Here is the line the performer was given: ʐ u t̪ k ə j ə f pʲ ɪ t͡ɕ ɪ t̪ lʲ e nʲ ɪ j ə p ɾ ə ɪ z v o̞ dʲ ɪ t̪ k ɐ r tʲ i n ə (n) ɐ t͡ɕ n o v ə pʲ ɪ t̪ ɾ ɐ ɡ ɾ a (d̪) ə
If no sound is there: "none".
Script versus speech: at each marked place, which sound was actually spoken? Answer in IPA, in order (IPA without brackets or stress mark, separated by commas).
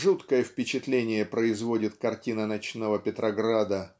n, d̪